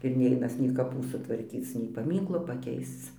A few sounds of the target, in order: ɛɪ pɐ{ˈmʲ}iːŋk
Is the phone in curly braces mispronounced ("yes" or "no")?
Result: no